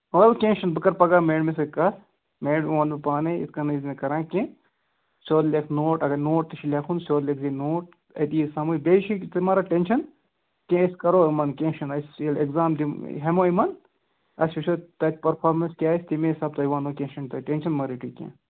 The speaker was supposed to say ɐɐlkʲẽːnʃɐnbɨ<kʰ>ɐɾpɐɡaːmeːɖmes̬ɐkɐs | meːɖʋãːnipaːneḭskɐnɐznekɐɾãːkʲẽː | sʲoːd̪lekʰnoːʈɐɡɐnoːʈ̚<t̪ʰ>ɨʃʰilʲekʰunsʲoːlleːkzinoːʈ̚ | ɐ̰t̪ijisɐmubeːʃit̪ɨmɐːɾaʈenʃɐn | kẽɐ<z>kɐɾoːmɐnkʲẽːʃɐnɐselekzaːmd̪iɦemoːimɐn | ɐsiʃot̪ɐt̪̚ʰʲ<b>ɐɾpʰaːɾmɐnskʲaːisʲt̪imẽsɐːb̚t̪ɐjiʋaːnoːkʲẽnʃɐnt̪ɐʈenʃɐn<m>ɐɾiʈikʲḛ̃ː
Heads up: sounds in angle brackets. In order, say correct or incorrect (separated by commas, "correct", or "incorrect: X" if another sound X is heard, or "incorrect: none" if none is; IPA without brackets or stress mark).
incorrect: k, incorrect: t̪, incorrect: s, incorrect: p, correct